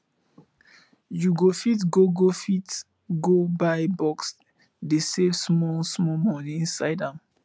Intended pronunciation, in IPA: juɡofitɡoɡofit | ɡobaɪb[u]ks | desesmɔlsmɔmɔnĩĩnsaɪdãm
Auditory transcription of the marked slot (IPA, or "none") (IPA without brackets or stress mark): ɔ